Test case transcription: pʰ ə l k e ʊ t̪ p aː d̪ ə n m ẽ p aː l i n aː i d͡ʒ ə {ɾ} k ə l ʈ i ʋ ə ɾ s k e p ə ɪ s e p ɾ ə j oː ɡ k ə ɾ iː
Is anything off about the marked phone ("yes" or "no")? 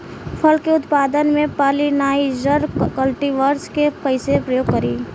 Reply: no